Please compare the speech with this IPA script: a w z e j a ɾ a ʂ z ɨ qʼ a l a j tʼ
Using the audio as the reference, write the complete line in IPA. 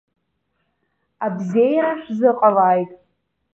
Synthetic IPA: a b z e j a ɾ a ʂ z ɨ qʼ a l a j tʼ